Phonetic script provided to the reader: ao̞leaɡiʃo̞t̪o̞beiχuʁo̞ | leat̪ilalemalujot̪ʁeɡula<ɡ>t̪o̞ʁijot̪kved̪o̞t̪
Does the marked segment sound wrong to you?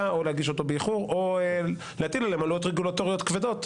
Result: yes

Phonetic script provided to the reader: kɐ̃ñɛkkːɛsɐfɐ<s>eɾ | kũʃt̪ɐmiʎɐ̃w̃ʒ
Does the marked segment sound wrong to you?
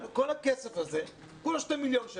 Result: yes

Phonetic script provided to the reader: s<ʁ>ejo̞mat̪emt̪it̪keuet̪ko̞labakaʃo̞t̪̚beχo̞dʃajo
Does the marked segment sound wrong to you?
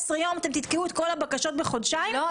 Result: no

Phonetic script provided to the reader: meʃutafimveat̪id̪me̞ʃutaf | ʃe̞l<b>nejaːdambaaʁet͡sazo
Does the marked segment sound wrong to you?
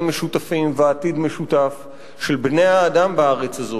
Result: no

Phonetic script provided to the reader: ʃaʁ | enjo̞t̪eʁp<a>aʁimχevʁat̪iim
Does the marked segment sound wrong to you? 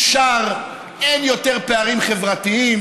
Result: yes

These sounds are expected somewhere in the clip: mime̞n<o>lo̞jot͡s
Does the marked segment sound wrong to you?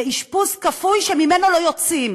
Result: no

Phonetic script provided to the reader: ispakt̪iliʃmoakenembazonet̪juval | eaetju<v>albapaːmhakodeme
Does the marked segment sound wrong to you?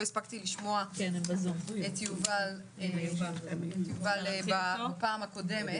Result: no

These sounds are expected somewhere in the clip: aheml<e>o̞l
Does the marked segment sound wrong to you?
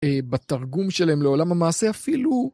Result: no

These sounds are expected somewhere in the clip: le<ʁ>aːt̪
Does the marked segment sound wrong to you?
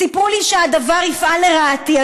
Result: no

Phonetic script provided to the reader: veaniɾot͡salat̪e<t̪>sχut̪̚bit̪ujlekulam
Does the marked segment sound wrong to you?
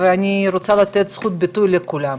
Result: no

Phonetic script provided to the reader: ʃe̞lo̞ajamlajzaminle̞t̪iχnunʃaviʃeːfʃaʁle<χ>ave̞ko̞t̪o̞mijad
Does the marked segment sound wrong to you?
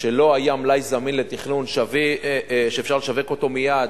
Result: yes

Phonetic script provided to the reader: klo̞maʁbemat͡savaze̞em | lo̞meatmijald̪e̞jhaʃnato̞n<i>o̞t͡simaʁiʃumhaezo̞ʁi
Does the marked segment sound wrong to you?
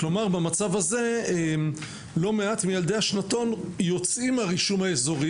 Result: yes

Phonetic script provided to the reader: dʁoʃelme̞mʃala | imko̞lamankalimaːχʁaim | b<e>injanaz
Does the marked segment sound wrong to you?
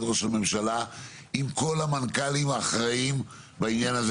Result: yes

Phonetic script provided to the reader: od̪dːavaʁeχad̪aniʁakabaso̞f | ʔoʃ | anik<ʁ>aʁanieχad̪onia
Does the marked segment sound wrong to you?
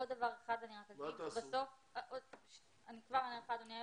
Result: yes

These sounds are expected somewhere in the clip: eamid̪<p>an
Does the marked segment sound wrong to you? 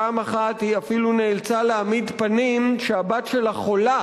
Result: no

